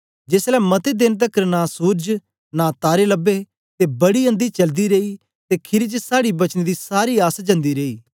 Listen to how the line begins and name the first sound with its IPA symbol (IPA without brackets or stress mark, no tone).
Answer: d͡ʒ